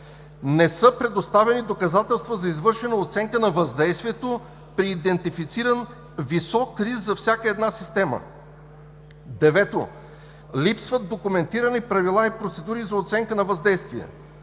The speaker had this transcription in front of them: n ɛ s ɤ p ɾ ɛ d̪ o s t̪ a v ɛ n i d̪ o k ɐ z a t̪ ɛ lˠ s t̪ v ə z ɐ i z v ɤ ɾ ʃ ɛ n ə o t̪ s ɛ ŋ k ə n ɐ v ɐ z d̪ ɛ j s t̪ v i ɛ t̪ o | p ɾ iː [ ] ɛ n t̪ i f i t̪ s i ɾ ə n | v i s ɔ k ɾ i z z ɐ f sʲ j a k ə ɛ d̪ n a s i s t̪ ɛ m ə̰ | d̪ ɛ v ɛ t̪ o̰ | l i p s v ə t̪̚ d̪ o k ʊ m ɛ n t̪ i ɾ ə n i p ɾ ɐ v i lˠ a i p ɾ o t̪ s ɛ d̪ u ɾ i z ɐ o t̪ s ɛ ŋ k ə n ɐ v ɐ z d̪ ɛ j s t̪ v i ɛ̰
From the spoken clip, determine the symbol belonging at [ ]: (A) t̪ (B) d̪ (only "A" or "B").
B